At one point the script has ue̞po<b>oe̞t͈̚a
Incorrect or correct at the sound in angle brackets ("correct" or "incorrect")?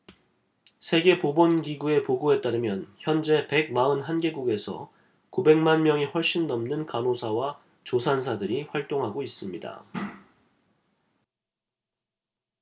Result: incorrect